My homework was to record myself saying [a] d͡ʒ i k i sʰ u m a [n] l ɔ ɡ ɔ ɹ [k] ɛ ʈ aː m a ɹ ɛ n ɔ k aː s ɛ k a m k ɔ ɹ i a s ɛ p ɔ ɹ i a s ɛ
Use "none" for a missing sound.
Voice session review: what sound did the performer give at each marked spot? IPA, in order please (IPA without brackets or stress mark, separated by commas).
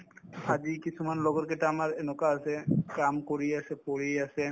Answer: a, n, k